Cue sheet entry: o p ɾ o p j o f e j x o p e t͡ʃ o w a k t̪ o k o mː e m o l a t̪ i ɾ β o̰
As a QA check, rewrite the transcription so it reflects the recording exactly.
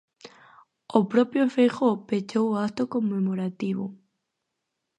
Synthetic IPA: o p ɾ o p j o f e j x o p e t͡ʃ o w a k t̪ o k o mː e m o ɾ a t̪ i β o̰